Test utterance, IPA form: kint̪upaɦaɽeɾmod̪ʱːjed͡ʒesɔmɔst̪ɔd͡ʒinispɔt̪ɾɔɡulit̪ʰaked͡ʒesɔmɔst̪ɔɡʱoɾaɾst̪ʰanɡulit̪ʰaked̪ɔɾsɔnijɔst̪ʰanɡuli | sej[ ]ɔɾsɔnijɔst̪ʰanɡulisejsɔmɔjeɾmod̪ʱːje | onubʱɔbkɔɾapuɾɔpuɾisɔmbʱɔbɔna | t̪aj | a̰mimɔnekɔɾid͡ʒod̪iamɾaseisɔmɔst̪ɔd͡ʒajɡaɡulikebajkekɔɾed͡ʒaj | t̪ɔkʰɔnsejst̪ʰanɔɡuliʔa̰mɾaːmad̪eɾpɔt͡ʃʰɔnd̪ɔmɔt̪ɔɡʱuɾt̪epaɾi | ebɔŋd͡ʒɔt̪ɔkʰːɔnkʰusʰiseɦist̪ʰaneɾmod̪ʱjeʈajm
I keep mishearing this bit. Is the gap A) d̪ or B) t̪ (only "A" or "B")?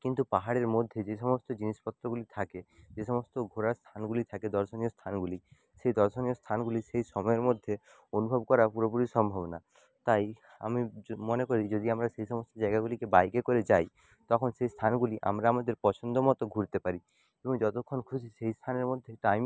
A